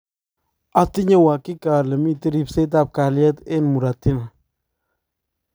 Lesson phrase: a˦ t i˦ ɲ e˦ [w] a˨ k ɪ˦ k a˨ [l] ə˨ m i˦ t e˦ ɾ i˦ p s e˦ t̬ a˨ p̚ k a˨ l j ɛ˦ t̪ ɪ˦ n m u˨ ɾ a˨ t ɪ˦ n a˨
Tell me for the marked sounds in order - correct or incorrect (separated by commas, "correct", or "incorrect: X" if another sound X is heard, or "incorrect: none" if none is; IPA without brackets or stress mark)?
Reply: correct, correct